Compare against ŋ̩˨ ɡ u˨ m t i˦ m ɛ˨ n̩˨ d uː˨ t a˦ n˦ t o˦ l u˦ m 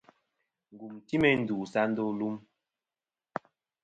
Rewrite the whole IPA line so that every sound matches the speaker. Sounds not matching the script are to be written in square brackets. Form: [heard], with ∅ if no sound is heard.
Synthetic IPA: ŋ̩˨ ɡ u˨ m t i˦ m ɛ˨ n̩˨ d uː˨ [s] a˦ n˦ [d] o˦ l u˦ m